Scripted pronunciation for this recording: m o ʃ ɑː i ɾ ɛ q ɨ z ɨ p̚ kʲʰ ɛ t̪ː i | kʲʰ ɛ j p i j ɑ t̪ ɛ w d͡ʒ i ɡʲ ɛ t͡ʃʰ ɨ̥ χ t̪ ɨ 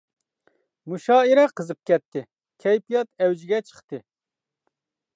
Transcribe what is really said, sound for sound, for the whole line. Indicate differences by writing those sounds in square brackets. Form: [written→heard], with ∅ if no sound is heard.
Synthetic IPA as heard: m [o→u] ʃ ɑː i ɾ ɛ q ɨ z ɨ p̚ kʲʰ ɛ t̪ː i | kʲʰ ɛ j p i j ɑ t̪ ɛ w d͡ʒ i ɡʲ ɛ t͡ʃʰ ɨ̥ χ t̪ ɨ

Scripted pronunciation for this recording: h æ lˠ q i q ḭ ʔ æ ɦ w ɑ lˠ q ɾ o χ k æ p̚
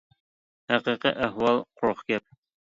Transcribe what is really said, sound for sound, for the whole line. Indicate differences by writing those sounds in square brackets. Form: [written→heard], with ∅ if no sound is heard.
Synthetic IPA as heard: h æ [lˠ→∅] q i q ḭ ʔ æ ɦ w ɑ lˠ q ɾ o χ k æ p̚

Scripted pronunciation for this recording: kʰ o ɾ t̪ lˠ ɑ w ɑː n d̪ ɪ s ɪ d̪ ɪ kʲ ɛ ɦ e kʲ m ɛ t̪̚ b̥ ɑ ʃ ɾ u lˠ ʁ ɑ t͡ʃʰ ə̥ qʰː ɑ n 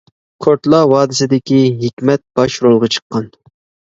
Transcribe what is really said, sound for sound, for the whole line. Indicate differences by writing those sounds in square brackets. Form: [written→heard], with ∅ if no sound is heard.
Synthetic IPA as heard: kʰ o ɾ t̪ lˠ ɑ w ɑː [n→∅] d̪ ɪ s ɪ d̪ ɪ kʲ [ɛ→i] ɦ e kʲ m ɛ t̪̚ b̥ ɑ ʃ ɾ [u→o] lˠ ʁ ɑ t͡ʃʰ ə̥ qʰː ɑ n

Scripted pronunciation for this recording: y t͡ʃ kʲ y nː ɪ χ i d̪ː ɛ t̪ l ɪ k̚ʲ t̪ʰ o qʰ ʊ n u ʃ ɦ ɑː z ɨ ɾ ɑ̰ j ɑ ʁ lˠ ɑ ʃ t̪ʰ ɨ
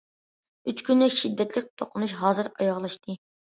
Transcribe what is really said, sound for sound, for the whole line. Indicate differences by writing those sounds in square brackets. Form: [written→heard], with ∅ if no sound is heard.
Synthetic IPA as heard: y t͡ʃ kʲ y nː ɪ [χ→ʃ] i d̪ː ɛ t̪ l ɪ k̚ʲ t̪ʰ o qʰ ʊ n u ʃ ɦ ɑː z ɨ ɾ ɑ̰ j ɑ ʁ lˠ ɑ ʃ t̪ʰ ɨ

